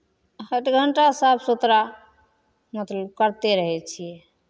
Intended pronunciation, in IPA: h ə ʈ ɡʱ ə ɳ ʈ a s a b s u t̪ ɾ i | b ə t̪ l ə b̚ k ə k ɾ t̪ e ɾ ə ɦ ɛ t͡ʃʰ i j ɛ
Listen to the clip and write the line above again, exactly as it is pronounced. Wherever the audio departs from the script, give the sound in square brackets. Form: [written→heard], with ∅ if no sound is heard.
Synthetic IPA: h ə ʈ ɡʱ ə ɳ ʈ a s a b s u t̪ ɾ [i→a] | [b→m] ə t̪ l ə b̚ k ə [k→∅] ɾ t̪ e ɾ ə ɦ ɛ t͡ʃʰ i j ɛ